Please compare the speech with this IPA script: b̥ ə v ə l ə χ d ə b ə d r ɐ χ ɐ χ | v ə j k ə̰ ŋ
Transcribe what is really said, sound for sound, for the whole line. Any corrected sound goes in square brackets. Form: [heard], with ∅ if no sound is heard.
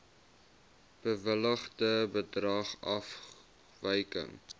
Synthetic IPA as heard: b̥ ə v ə l ə χ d ə b ə d r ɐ χ ɐ [f] | v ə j k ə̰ ŋ